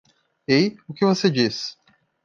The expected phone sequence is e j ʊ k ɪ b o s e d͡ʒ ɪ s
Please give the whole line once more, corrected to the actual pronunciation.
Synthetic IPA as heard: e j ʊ k ɪ v o s e d͡ʒ i s